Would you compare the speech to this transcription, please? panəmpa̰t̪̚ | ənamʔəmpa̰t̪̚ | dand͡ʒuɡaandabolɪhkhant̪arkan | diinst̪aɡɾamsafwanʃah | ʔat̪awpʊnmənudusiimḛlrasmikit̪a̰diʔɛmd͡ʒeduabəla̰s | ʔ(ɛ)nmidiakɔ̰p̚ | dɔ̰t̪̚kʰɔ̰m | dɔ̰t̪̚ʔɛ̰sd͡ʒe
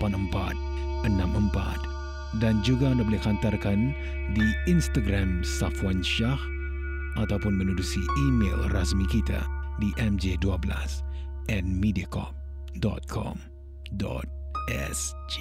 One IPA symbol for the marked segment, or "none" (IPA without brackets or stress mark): ɛ